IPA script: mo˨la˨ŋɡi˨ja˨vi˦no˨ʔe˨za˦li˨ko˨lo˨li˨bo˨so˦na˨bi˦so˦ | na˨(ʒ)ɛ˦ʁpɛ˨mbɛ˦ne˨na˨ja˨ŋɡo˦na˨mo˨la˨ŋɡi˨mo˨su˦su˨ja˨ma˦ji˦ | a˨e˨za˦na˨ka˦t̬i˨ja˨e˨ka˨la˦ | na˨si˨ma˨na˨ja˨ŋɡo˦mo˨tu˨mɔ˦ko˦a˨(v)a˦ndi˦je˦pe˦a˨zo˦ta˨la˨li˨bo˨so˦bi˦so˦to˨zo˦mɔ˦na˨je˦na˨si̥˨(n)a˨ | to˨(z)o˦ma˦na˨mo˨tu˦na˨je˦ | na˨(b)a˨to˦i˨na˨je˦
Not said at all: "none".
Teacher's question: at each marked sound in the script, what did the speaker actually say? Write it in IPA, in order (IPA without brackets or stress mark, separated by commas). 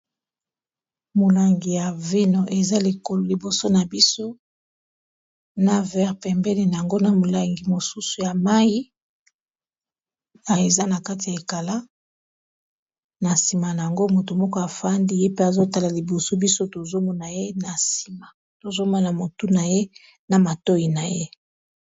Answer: v, f, m, z, m